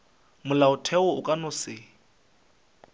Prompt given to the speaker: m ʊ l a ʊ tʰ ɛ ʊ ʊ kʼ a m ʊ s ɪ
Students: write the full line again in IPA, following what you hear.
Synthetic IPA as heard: m ʊ l a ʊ tʰ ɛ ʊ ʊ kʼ a n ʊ s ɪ

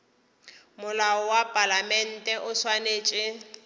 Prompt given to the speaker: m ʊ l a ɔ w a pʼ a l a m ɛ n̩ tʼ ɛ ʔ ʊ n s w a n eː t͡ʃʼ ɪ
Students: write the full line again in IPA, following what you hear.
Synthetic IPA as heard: m ʊ l a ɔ w a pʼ a l a m ɛ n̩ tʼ ɛ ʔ ʊ s w a n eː t͡ʃʼ ɪ

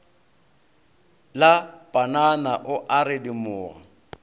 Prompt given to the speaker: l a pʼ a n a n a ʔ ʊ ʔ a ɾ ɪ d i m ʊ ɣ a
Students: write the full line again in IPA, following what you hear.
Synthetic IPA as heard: l a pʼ a n a n a ʔ ʊ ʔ a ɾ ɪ d i m ʊː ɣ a

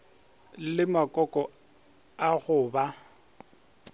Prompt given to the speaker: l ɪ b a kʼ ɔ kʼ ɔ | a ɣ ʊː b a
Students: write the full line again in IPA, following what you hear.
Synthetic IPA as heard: l ɪ m a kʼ ɔ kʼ ɔ | a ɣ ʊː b a

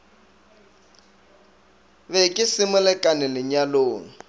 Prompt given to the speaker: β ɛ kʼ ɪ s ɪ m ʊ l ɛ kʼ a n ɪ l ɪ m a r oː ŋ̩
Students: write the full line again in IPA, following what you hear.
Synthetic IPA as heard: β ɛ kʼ ɪ s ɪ m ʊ l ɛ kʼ a n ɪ l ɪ ɲ a l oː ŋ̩

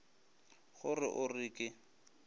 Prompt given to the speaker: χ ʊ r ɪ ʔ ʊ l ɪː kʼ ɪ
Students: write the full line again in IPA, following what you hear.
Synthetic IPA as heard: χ ʊ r ɪ ʔ ʊ r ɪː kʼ ɪ

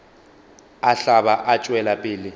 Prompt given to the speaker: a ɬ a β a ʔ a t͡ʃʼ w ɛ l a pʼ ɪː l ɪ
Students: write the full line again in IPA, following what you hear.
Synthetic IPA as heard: a ɬ a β a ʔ a t͡ʃʼ w ɛ l a pʼ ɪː l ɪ

